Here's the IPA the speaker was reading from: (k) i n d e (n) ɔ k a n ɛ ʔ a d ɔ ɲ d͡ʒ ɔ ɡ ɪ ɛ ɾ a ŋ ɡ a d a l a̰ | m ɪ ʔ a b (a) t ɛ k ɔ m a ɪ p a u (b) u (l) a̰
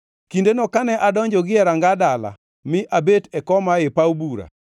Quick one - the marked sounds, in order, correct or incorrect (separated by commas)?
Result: correct, correct, incorrect, correct, incorrect